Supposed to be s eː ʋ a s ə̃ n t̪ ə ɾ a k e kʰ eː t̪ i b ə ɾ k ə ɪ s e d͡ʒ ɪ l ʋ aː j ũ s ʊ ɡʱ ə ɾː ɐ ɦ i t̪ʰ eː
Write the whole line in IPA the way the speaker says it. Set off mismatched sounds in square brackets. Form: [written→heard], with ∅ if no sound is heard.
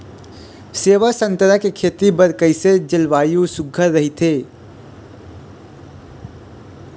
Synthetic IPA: s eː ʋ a s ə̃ n t̪ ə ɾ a k e kʰ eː t̪ i b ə ɾ k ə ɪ s e d͡ʒ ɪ l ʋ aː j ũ s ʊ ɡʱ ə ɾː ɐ ɦ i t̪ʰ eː

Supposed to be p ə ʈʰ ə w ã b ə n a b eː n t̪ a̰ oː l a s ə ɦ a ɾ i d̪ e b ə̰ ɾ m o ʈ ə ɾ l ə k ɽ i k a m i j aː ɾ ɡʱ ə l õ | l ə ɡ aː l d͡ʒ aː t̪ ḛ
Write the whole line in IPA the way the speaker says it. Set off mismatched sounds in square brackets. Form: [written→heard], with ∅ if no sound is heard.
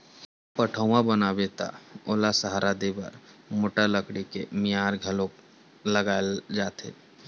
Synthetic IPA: p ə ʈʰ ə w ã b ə n a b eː [n→∅] t̪ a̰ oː l a s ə ɦ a ɾ [i→a] d̪ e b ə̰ ɾ m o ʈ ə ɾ l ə k ɽ i k [a→e] m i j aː ɾ ɡʱ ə l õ | l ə ɡ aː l d͡ʒ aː t̪ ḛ

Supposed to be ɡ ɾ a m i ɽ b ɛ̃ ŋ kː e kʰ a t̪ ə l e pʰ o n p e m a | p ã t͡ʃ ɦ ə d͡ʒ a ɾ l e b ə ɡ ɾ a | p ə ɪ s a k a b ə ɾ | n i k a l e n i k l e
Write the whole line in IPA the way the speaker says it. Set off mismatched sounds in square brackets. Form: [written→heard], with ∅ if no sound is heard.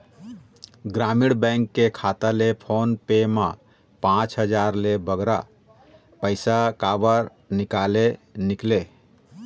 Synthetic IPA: ɡ ɾ a m i ɽ b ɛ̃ ŋ kː e kʰ a t̪ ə l e pʰ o n p e m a | p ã t͡ʃ ɦ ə d͡ʒ a ɾ l e b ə ɡ ɾ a | p ə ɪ s a k a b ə ɾ | n i k a l e n i k l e

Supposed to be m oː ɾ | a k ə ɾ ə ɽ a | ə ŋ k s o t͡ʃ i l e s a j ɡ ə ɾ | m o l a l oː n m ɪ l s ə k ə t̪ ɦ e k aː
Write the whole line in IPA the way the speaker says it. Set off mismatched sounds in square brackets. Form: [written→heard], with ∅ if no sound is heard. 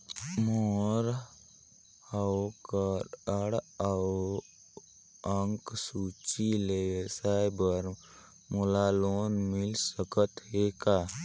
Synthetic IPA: m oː ɾ | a k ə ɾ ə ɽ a | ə ŋ k s [o→u] t͡ʃ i l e s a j [ɡ→b] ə ɾ | m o l a l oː n m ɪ l s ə k ə t̪ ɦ e k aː

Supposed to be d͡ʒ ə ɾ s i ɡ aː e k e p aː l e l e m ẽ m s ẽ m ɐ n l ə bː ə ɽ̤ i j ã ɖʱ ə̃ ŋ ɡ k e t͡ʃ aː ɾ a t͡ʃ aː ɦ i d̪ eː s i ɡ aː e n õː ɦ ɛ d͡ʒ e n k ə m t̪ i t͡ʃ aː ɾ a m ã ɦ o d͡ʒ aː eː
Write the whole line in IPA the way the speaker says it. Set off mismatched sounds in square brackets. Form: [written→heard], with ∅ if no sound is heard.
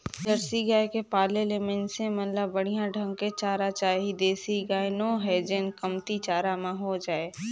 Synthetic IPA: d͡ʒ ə ɾ s i ɡ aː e k e p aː l e l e m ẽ [m→n] s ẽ m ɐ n l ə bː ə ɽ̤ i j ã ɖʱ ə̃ ŋ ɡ k e t͡ʃ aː ɾ a t͡ʃ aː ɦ i d̪ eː s i ɡ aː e n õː ɦ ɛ d͡ʒ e n k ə m t̪ i t͡ʃ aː ɾ a m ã ɦ o d͡ʒ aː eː

